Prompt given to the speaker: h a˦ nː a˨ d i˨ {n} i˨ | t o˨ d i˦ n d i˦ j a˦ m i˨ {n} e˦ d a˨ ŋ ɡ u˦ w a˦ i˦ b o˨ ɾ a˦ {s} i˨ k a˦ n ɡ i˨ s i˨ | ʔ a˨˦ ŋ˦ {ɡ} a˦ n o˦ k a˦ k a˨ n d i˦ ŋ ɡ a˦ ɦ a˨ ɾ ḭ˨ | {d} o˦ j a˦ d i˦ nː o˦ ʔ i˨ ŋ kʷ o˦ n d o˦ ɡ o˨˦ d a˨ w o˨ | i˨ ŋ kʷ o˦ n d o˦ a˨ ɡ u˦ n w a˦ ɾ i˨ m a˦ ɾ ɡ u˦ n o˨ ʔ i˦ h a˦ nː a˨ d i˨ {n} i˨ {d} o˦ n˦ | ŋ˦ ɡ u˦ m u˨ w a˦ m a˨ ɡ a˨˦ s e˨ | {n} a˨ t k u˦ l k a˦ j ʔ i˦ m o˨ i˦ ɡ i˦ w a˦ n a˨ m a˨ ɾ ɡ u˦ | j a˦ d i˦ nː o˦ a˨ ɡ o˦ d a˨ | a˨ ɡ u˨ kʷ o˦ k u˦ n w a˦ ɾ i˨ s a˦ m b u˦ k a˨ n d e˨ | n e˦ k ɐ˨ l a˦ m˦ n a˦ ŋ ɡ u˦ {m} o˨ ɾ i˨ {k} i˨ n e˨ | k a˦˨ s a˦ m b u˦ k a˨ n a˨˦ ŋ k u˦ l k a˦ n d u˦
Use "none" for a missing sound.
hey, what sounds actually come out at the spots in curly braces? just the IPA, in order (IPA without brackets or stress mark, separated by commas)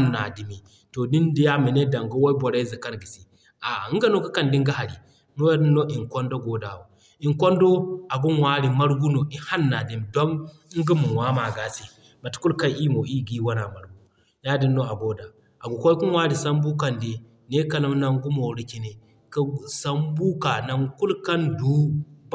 m, n, z, ɡ, n, m, d, m, m, k